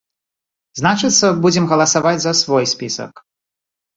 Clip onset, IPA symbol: z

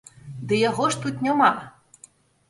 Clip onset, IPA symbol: d̪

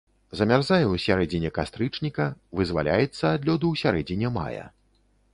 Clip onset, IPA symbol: z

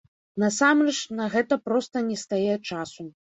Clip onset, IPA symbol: n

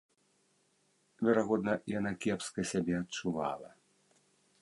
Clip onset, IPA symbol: vʲ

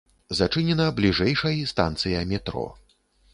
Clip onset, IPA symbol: z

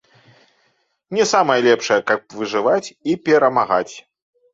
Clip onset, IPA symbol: nʲ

